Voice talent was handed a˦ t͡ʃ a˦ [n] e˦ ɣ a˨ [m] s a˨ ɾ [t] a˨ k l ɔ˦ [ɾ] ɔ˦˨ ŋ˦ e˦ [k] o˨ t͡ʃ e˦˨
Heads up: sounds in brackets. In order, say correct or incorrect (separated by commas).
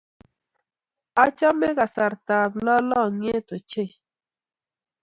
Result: incorrect, incorrect, correct, incorrect, incorrect